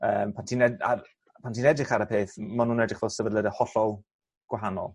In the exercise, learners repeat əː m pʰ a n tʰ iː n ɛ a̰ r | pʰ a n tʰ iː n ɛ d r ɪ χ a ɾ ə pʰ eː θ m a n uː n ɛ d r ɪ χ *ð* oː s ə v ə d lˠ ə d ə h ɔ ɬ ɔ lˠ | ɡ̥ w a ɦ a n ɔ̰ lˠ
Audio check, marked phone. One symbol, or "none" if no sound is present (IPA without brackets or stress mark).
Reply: v